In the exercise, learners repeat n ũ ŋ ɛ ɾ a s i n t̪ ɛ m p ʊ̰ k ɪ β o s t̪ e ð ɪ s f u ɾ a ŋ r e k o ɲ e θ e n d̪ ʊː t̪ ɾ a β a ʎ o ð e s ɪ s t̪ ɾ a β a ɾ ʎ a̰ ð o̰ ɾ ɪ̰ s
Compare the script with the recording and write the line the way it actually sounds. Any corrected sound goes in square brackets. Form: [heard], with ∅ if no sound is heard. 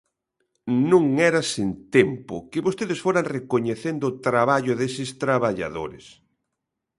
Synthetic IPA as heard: n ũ ŋ ɛ ɾ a s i n t̪ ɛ m p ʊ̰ k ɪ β o s t̪ e ð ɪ s f [o] ɾ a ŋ r e k o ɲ e θ e n d̪ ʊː t̪ ɾ a β a ʎ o ð e s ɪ s t̪ ɾ a β a [∅] ʎ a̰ ð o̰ ɾ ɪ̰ s